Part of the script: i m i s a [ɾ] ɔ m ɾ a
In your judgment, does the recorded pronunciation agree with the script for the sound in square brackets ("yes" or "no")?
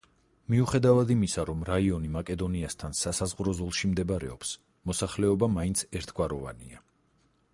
yes